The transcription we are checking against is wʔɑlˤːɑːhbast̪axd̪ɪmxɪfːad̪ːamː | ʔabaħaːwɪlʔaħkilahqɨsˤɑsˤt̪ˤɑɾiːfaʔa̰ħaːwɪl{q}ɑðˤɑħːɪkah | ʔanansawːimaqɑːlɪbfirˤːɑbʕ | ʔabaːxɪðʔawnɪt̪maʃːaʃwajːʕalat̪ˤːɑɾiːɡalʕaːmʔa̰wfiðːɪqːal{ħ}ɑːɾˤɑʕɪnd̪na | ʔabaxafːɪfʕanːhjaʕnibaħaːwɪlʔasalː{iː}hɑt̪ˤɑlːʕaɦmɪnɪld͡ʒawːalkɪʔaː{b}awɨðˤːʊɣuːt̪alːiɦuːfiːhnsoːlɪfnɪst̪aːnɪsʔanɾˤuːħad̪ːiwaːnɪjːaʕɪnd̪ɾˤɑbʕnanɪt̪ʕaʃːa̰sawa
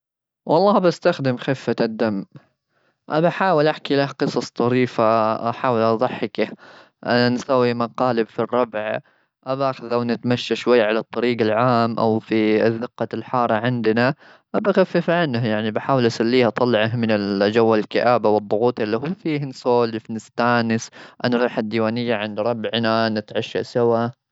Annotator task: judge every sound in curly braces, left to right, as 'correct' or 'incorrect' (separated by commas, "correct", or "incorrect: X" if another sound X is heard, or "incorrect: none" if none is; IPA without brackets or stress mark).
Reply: incorrect: ʔ, correct, correct, correct